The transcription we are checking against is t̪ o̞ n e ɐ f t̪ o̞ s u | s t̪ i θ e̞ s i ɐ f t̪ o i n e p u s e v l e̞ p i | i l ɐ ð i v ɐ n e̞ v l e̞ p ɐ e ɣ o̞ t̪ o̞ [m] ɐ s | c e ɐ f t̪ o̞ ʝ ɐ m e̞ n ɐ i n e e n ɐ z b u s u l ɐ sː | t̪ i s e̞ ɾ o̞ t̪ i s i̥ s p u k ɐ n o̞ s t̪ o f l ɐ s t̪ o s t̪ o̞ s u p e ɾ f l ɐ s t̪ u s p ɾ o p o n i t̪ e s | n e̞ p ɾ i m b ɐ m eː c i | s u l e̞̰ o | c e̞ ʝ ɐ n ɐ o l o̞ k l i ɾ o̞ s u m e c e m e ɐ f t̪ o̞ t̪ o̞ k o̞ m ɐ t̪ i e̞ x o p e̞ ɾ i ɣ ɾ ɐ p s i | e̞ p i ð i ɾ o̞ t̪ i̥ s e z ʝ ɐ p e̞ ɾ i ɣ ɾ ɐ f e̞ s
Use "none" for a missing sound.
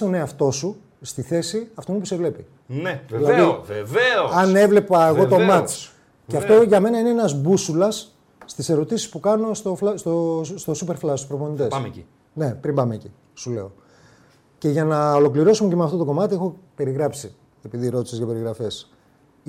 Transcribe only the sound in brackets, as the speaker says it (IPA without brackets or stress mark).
m